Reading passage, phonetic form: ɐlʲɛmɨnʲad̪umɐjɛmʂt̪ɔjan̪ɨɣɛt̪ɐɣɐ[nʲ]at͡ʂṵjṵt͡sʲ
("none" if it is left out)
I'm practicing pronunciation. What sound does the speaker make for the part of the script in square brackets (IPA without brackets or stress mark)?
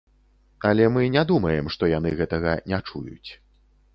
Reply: nʲ